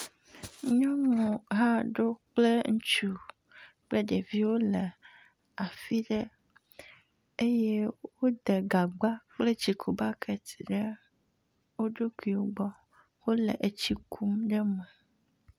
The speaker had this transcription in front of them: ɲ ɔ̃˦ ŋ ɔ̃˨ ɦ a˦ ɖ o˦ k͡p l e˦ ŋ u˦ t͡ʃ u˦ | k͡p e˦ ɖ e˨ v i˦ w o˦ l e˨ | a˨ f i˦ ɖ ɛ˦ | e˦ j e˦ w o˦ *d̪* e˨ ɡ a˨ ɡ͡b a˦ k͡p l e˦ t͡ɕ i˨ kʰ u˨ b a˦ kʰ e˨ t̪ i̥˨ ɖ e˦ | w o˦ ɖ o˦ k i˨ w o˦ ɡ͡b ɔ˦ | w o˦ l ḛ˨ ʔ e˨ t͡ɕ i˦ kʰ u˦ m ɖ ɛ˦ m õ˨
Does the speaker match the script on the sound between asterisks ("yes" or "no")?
yes